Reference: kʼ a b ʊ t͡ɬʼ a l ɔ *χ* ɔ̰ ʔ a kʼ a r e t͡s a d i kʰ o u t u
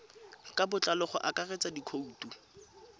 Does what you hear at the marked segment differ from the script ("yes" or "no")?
no